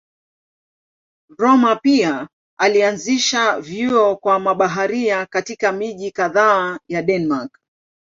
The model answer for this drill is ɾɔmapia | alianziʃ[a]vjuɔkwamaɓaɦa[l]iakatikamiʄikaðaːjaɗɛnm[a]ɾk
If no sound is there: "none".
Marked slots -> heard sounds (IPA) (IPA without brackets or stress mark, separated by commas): a, ɾ, a